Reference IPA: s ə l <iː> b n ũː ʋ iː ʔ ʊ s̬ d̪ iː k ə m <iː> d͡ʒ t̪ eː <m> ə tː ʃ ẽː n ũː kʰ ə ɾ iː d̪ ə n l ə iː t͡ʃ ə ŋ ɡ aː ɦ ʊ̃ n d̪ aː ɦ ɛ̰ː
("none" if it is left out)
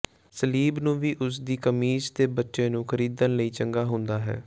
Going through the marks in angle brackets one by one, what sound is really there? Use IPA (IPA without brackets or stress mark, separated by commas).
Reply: iː, iː, b